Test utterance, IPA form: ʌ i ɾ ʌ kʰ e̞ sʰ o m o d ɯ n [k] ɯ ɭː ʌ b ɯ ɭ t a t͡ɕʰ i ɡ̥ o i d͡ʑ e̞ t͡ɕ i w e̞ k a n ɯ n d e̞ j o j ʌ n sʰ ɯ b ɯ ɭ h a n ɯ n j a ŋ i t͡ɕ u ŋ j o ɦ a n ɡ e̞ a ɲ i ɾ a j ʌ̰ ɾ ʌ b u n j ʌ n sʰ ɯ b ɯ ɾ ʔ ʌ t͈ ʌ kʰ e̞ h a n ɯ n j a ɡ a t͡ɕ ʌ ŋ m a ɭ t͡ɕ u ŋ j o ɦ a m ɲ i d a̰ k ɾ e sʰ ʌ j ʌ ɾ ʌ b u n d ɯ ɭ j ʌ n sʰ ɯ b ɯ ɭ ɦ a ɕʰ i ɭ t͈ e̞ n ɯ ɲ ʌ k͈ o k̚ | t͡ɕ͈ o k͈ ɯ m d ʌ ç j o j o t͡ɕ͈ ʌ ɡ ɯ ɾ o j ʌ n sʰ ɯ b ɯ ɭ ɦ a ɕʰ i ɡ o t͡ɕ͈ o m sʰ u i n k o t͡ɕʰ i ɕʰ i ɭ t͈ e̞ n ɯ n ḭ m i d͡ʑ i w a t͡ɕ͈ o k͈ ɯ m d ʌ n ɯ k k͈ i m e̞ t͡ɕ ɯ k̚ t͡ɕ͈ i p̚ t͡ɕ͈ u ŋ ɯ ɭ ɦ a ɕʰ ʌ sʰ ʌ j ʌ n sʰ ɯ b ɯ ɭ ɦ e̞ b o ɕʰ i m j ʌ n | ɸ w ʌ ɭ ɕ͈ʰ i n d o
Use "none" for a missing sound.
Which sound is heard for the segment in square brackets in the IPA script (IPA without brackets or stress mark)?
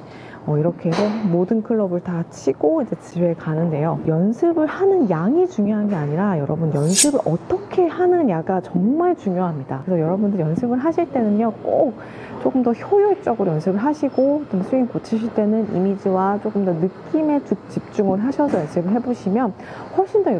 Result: kʰ